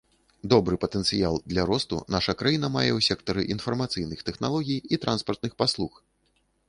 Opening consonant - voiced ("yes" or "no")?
yes